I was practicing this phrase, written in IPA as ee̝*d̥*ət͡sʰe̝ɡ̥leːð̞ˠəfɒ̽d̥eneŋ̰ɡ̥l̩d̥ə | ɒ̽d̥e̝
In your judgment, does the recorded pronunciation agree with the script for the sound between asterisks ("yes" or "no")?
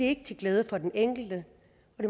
no